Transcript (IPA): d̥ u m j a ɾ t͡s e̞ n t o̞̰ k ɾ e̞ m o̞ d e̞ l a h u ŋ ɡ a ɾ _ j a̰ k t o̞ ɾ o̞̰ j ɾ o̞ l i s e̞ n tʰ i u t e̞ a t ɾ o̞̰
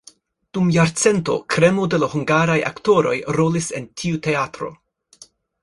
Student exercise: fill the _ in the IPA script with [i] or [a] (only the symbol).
a